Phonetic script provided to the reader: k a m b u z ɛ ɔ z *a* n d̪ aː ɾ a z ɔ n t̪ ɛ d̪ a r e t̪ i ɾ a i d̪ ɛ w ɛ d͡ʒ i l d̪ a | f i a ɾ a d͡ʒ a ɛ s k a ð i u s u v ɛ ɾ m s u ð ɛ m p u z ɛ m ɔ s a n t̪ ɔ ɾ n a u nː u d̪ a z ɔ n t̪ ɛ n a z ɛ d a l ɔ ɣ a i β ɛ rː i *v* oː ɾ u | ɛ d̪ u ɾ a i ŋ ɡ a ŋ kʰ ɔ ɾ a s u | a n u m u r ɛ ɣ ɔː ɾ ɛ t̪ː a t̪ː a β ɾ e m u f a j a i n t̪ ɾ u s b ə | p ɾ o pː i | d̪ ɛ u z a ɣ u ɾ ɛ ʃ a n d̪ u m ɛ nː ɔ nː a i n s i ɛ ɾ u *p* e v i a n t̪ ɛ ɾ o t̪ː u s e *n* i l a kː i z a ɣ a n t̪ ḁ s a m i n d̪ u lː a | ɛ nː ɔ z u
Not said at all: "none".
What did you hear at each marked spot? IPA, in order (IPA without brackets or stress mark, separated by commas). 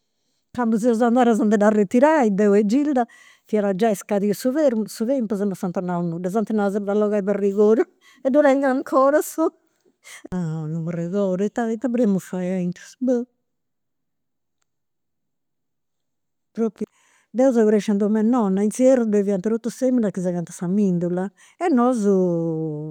a, ɣ, b, m